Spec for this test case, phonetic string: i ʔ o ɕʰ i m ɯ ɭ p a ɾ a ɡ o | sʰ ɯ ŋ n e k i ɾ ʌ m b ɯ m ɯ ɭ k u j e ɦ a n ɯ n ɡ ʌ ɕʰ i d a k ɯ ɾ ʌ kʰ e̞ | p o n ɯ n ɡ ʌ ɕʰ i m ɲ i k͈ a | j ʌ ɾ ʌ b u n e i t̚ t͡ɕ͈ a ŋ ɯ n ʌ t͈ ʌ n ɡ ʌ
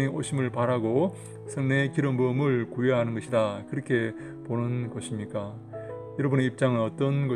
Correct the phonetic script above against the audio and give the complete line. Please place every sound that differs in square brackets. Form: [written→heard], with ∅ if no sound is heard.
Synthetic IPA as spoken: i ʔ o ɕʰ i m ɯ ɭ p a ɾ a ɡ o | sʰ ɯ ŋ n e k i ɾ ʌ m b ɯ m ɯ ɭ k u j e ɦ a n ɯ n ɡ ʌ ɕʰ i d a k ɯ ɾ ʌ kʰ e̞ | p o n ɯ n ɡ ʌ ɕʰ i m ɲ i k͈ a | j ʌ ɾ ʌ b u n e i [t̚→p̚] t͡ɕ͈ a ŋ ɯ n ʌ t͈ ʌ n ɡ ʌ